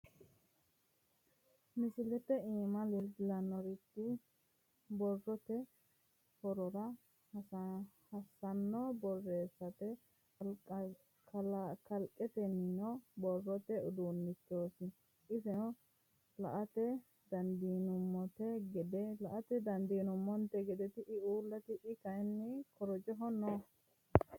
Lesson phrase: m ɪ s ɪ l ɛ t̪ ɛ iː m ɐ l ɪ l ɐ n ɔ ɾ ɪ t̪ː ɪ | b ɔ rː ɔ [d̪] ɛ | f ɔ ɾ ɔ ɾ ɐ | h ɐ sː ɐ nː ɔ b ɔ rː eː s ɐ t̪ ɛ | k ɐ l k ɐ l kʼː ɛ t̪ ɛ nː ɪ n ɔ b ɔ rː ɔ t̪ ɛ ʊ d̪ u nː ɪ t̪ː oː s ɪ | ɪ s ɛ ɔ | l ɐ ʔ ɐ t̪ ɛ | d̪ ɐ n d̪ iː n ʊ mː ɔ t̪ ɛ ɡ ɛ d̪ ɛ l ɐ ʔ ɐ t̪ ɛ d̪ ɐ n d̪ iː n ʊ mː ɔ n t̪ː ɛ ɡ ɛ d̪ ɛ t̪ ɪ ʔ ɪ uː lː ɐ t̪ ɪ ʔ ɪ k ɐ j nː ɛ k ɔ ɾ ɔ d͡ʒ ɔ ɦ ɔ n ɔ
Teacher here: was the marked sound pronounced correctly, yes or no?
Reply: no